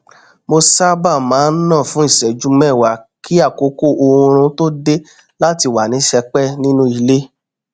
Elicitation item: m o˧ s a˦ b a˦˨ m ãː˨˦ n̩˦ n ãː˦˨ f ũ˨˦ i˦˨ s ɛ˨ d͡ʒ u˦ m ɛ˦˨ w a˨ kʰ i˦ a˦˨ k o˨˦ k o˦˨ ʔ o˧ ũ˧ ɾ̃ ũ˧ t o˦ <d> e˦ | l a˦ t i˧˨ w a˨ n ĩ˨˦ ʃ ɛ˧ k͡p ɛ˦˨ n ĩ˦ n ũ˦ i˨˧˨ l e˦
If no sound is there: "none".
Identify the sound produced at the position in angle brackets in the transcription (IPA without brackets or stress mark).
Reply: d